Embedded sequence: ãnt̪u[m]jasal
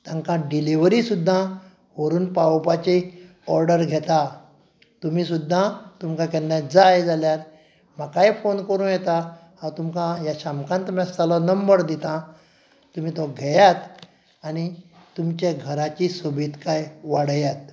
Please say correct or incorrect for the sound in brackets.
correct